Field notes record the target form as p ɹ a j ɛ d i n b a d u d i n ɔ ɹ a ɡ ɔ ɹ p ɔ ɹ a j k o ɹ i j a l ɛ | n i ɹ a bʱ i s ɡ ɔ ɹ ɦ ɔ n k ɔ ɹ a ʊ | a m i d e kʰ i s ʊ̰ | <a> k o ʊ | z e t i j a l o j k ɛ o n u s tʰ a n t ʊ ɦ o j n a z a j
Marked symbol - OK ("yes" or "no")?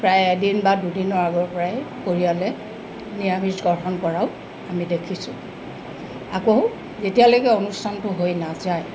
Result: yes